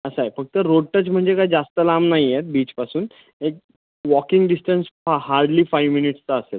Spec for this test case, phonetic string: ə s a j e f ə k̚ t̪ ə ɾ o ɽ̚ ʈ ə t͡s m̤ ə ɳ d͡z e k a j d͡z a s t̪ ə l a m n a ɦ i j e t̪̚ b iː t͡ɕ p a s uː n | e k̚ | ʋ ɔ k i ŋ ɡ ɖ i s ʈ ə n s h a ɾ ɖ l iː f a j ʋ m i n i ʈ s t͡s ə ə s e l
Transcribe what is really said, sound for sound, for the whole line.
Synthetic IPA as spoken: ə s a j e f ə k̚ t̪ ə ɾ o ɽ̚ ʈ ə t͡s m̤ ə ɳ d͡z e k a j d͡z a s t̪ ə l a m n a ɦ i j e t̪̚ b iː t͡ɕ p a s uː n | e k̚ | ʋ ɔ k i ŋ ɡ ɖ i s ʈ ə n s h a ɾ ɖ l iː f a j ʋ m i n i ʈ s t͡s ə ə s e l